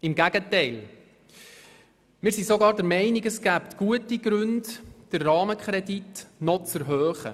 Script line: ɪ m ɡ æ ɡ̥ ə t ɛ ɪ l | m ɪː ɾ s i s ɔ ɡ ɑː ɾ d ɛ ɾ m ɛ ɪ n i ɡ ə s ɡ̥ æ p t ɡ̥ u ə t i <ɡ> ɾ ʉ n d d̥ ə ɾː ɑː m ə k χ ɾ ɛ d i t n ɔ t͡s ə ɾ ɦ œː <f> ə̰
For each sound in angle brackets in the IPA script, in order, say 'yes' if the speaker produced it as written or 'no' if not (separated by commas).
yes, no